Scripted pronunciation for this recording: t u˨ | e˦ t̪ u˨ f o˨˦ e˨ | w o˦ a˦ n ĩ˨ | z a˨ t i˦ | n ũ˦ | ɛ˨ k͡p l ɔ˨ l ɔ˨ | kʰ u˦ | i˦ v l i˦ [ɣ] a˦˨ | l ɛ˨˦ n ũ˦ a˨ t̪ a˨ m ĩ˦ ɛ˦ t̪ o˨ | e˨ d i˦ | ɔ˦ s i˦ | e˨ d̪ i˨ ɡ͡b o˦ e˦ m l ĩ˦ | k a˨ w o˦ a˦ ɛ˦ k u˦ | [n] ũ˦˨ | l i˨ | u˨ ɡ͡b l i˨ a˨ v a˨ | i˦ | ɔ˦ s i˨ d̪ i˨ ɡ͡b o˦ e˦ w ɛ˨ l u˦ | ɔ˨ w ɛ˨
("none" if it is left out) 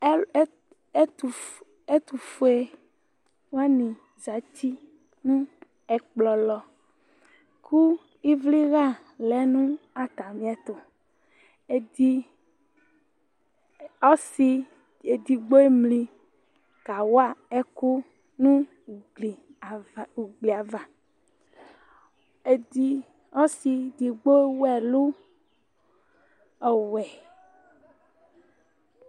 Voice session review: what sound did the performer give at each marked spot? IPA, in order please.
ɣ, n

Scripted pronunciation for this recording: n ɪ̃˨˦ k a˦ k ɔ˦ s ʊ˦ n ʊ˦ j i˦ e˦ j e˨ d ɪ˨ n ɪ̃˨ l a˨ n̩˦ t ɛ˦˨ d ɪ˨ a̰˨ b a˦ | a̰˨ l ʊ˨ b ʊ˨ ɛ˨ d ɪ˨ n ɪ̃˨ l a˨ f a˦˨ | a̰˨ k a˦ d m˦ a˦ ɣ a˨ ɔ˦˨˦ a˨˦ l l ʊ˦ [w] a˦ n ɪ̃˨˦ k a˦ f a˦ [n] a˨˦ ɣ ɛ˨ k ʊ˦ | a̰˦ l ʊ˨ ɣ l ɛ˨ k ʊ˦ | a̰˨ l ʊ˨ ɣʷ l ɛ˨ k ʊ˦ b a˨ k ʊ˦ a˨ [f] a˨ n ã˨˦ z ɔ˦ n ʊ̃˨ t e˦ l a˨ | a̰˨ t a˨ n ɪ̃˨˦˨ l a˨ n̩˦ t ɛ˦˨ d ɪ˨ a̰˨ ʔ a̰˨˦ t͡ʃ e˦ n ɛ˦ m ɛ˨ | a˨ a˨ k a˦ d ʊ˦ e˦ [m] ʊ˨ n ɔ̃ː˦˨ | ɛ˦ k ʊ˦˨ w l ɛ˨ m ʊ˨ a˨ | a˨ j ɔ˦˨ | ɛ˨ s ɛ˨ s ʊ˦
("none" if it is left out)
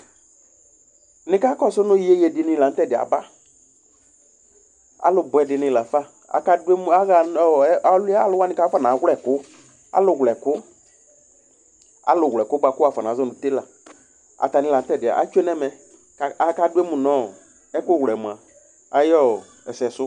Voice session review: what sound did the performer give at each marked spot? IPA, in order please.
w, n, f, m

